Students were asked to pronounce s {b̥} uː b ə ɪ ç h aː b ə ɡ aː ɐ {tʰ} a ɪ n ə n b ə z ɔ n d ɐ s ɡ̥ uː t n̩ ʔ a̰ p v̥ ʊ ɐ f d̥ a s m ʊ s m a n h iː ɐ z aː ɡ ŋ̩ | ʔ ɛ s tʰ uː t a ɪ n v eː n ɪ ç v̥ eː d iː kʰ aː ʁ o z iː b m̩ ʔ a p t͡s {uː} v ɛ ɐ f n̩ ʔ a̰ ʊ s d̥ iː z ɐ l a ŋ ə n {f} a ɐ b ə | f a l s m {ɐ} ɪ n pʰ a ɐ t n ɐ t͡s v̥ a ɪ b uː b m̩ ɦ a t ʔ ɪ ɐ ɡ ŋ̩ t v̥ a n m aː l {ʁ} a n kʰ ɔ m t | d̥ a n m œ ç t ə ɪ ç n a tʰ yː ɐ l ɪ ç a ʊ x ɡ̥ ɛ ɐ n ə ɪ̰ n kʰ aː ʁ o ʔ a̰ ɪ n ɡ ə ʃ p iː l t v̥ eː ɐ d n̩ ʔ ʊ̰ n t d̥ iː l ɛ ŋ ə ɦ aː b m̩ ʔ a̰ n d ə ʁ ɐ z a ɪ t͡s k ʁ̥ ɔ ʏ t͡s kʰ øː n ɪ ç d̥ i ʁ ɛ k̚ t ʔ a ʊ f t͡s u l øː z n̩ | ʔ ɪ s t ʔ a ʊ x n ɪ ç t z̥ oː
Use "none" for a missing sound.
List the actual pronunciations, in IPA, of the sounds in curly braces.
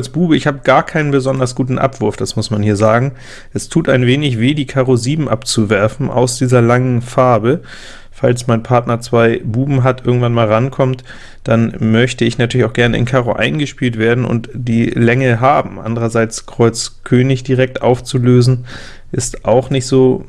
b̥, kʰ, u, f, a, ʁ

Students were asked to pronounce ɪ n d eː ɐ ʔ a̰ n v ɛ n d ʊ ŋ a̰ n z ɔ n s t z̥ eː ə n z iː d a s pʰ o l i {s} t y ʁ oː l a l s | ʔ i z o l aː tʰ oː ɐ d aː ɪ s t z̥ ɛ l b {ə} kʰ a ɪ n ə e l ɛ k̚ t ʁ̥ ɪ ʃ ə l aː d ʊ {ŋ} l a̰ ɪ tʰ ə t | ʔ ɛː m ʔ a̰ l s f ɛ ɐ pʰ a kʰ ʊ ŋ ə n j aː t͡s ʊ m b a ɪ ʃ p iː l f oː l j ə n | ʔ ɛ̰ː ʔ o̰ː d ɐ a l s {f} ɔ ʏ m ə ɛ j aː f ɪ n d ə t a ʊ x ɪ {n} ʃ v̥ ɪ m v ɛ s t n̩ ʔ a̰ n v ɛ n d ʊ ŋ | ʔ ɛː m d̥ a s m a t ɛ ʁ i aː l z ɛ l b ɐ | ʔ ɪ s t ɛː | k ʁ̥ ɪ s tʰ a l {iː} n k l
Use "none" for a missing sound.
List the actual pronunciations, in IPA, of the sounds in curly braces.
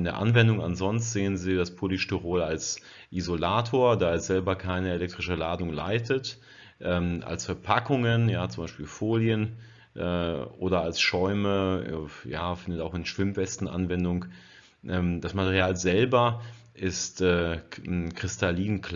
ʃ, ɐ, ŋ, ʃ, n, iː

